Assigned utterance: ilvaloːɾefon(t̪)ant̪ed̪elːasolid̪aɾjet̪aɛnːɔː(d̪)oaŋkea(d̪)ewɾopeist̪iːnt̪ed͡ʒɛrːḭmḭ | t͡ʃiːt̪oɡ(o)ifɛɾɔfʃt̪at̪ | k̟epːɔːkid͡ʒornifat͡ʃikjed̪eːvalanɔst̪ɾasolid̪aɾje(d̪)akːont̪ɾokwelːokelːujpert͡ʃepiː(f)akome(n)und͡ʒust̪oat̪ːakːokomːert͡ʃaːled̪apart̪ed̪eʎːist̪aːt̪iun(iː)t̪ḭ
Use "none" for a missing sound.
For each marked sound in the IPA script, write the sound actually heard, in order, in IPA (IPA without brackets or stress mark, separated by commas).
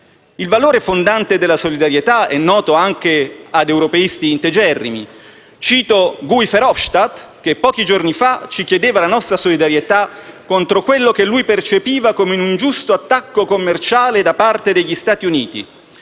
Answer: d̪, t̪, d̪, u, t̪, v, n, iː